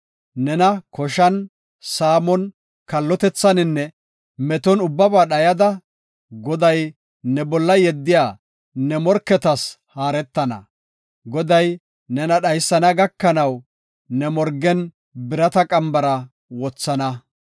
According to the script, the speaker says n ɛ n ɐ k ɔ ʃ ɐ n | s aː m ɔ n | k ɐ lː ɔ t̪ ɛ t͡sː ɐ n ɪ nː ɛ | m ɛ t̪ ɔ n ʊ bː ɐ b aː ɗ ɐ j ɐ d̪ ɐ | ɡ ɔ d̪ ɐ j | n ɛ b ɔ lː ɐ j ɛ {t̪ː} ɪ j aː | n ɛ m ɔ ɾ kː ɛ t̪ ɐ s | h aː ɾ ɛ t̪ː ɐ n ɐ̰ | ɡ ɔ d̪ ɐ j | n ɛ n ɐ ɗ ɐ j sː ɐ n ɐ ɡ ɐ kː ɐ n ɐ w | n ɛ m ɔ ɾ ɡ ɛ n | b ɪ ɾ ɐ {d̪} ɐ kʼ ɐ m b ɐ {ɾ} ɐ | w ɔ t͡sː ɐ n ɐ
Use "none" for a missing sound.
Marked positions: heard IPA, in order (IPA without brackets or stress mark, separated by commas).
d̪ː, t̪, ɾ